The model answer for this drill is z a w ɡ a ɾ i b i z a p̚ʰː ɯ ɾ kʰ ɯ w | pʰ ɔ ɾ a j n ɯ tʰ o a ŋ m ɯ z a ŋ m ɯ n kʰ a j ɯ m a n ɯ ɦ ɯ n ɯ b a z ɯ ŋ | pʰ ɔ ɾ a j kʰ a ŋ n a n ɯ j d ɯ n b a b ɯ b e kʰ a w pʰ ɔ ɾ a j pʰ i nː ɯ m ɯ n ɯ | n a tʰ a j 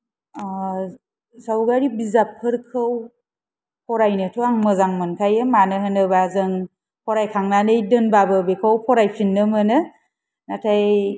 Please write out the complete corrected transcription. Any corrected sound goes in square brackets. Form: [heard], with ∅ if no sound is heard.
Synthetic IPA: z a w ɡ a ɾ i b i z a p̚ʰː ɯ ɾ kʰ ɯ w | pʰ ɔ ɾ a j n ɯ tʰ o a ŋ m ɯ z a ŋ m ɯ n kʰ a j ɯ m a n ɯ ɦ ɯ n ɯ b a z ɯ ŋ | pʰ ɔ ɾ a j kʰ a ŋ n a n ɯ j d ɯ n b a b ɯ b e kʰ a w pʰ ɔ ɾ a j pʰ i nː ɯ m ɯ n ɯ | n a tʰ a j